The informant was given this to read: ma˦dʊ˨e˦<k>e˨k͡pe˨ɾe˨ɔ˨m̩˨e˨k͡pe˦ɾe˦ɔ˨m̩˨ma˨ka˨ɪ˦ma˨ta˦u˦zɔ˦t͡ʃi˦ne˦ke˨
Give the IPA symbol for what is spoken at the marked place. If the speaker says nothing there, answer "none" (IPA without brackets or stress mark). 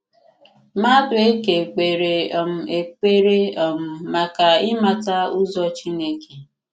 k